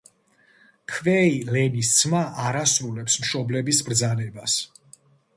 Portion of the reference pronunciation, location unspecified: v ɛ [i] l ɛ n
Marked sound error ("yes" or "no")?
no